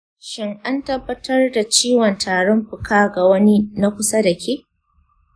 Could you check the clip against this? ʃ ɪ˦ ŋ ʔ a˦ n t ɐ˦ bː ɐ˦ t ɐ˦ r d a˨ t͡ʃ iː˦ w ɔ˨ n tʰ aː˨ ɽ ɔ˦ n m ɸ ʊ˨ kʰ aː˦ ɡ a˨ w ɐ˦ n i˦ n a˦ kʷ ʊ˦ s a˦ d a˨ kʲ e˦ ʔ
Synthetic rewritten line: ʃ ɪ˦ ŋ ʔ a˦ n t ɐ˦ bː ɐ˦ t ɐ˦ r d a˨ t͡ʃ iː˦ w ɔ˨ n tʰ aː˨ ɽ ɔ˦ m ɸ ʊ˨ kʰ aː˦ ɡ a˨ w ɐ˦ n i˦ n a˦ kʷ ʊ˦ s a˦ d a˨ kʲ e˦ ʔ